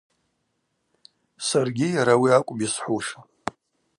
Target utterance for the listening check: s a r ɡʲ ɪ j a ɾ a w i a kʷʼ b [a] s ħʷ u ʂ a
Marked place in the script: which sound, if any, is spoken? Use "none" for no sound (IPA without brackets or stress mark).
i